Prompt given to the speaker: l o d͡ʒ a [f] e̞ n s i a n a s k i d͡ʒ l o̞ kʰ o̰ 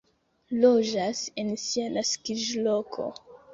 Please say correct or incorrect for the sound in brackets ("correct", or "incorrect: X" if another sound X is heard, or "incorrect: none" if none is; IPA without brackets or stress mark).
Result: incorrect: s